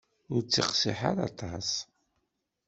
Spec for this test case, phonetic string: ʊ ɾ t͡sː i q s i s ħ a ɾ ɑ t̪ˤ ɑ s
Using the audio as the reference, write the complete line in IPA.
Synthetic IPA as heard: ʊ ɾ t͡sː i q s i ħ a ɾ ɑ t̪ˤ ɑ s